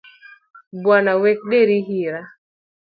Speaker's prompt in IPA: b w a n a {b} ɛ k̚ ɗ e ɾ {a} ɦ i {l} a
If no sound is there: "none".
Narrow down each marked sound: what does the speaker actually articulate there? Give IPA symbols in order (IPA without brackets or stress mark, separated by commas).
w, i, ɾ